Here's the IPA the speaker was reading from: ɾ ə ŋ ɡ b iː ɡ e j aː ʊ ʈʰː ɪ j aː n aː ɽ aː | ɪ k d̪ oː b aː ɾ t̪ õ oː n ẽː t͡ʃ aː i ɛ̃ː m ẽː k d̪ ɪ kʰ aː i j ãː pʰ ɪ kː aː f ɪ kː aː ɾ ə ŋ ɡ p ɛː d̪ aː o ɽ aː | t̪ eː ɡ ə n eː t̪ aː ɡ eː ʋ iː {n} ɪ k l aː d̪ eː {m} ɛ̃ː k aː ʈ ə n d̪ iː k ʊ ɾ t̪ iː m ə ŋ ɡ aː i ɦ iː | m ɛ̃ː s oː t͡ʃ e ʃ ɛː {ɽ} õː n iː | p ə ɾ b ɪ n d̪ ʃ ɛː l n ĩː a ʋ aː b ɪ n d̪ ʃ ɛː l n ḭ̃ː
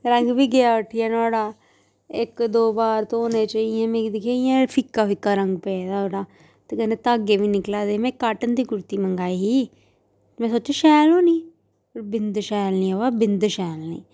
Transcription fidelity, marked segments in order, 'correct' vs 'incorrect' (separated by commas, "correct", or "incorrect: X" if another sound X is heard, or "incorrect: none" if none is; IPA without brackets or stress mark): correct, correct, incorrect: l